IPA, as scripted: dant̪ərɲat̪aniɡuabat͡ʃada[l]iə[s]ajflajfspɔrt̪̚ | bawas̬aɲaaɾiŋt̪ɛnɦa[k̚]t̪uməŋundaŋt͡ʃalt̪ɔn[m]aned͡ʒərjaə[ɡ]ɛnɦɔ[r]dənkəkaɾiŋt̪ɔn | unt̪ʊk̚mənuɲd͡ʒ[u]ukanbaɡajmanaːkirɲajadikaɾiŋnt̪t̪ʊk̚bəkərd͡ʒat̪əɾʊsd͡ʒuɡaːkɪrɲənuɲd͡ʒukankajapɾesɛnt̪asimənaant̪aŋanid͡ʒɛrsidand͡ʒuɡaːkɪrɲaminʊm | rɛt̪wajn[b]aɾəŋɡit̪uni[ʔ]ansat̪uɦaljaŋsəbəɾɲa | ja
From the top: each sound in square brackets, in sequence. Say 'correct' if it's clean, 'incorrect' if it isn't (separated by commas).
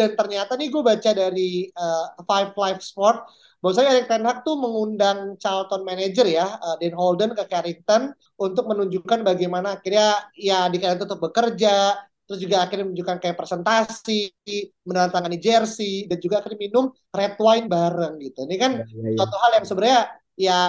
incorrect, incorrect, correct, correct, incorrect, incorrect, correct, correct, incorrect